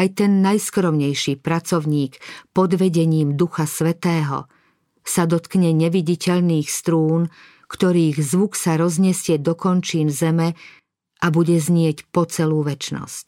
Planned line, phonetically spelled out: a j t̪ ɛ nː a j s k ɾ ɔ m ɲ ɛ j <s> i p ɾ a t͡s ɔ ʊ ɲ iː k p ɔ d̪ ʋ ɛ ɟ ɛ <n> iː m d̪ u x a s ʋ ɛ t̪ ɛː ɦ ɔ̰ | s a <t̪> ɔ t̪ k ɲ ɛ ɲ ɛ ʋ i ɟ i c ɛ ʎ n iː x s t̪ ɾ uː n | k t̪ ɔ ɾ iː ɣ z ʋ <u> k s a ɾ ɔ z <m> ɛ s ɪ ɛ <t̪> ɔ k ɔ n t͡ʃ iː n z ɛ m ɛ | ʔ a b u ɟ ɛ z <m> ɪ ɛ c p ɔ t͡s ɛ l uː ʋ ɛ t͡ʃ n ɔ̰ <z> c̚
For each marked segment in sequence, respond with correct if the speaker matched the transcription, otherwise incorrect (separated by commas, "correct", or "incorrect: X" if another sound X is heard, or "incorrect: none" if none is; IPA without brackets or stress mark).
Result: incorrect: ʃ, incorrect: ɲ, incorrect: d̪, correct, incorrect: ɲ, incorrect: d̪, incorrect: ɲ, incorrect: s